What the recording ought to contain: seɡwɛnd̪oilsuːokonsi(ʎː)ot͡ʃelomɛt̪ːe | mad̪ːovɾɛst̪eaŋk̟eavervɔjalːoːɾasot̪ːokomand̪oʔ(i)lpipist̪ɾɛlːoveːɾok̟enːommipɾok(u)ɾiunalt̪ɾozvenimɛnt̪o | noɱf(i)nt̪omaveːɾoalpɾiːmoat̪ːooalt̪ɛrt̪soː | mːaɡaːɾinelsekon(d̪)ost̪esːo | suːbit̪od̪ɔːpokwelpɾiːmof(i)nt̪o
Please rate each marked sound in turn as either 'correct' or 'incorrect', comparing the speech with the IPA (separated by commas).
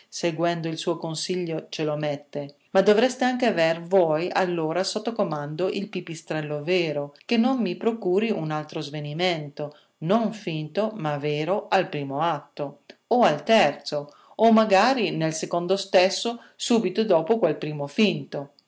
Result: correct, correct, incorrect, correct, correct, correct